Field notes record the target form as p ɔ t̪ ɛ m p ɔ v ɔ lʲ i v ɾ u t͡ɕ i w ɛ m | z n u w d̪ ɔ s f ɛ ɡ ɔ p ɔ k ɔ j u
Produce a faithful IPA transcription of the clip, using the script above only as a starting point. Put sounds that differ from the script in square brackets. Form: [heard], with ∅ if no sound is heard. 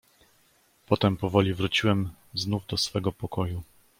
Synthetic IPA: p ɔ t̪ ɛ m p ɔ v ɔ lʲ i v ɾ u t͡ɕ i w ɛ m | z n u [v] d̪ ɔ s f ɛ ɡ ɔ p ɔ k ɔ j u